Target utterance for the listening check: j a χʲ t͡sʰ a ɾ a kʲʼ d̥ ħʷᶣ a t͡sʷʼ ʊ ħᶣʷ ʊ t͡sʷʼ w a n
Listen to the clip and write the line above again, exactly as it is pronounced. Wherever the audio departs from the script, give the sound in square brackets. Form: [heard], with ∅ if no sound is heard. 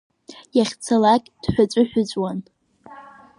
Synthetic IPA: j a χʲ t͡sʰ a [l] a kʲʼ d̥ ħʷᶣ a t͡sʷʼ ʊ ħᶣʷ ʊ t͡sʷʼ w a n